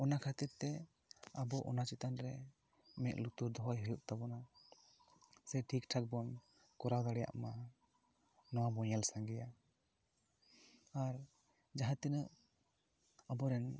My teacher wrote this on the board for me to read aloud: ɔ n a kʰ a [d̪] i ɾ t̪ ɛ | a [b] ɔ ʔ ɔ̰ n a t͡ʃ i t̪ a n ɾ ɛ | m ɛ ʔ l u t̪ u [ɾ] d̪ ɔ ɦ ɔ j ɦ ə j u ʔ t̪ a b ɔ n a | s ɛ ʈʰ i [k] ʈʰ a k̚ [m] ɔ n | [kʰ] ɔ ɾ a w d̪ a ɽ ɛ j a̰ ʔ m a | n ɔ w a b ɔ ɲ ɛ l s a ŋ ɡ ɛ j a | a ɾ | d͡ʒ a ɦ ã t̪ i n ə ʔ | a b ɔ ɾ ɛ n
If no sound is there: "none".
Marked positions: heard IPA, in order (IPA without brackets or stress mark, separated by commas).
t̪, b, ɾ, k, b, k